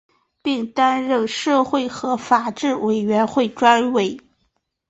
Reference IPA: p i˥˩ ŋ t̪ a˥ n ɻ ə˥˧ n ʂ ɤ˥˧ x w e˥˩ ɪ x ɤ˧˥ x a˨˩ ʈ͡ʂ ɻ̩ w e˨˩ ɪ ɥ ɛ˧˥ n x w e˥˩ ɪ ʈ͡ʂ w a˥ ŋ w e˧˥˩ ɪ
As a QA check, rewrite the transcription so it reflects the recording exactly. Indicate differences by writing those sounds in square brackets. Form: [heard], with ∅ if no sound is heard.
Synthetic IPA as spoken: p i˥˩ ŋ t̪ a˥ n ɻ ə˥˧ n ʂ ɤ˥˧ x w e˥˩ ɪ x ɤ˧˥ [f] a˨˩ ʈ͡ʂ ɻ̩ w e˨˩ ɪ ɥ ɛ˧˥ n x w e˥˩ ɪ ʈ͡ʂ w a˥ [n] w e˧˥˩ ɪ